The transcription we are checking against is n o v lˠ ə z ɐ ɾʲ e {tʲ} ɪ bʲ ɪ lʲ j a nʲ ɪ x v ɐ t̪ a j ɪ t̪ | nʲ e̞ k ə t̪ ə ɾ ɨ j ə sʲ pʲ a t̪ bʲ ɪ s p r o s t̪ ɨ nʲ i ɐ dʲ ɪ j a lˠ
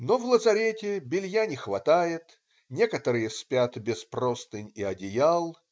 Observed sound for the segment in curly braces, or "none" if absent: tʲ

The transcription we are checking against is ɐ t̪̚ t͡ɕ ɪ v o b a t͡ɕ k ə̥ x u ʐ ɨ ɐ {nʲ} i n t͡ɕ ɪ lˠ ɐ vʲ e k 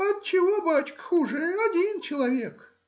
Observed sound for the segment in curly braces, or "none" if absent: dʲ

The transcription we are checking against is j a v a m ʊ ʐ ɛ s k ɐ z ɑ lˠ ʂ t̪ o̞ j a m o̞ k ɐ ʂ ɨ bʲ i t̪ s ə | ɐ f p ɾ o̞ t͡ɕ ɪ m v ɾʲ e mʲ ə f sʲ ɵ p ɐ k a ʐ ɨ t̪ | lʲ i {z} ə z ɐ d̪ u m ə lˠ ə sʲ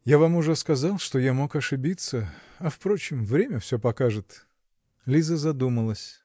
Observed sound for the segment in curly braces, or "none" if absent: z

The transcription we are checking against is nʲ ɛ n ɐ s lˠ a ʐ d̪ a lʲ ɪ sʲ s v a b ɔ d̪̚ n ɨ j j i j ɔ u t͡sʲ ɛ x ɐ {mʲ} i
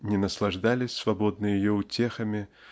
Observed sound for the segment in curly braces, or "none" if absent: mʲ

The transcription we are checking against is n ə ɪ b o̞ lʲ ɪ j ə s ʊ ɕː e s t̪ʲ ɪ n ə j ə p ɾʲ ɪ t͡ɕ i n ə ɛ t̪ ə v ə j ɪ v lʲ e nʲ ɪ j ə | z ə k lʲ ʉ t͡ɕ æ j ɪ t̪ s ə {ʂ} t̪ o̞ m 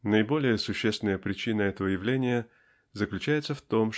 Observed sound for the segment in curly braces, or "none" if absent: f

